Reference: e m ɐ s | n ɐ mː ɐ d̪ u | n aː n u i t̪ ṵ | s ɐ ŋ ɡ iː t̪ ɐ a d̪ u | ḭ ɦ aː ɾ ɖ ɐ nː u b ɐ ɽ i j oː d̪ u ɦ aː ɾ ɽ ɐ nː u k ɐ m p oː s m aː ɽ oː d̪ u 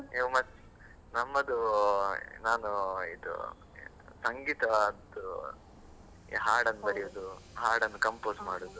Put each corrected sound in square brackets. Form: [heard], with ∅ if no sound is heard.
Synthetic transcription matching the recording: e m ɐ s | n ɐ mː ɐ d̪ u | n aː n u i [d̪] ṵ | s ɐ ŋ ɡ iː t̪ ɐ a d̪ u | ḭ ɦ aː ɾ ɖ ɐ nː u b ɐ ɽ i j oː d̪ u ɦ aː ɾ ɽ ɐ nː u k ɐ m p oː s m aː ɽ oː d̪ u